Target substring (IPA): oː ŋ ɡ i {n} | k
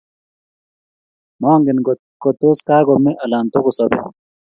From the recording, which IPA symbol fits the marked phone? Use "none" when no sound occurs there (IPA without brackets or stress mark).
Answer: n